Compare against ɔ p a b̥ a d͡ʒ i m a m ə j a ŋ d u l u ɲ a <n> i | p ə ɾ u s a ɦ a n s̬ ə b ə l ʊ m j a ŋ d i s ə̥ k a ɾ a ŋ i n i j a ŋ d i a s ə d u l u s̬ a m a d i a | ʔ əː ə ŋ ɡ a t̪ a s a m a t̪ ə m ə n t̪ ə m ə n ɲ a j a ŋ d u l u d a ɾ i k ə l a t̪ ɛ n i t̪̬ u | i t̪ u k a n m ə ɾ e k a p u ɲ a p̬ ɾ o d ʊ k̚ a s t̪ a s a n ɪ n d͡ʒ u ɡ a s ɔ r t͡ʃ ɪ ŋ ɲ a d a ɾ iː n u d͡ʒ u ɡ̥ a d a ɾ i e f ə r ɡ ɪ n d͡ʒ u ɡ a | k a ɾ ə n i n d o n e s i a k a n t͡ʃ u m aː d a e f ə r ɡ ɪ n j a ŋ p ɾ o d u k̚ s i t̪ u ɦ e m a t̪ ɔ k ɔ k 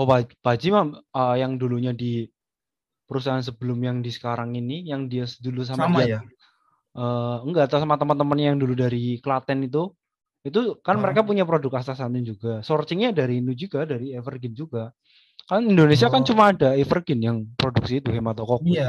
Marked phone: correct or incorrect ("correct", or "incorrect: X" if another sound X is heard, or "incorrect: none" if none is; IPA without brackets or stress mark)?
incorrect: d